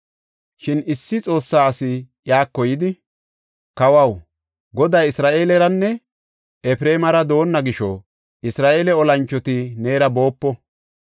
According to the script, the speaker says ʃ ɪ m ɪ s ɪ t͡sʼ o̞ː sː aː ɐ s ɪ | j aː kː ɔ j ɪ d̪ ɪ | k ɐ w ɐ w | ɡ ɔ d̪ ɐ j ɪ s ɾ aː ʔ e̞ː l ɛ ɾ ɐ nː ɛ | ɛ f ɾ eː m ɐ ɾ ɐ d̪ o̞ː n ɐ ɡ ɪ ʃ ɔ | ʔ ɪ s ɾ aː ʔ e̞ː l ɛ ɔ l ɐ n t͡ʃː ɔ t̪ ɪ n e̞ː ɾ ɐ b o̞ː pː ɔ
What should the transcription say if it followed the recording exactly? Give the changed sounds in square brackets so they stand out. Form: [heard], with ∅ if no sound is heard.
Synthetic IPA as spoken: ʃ ɪ [n] ɪ [sː] ɪ t͡sʼ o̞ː sː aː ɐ s ɪ | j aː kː ɔ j ɪ d̪ ɪ | k ɐ w ɐ w | ɡ ɔ d̪ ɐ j ɪ s ɾ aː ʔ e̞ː l ɛ ɾ ɐ nː ɛ | ɛ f ɾ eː m ɐ ɾ ɐ d̪ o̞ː [nː] ɐ ɡ ɪ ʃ ɔ | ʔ ɪ s ɾ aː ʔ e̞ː l ɛ ɔ l ɐ n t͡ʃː ɔ t̪ ɪ n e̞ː ɾ ɐ b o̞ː pː ɔ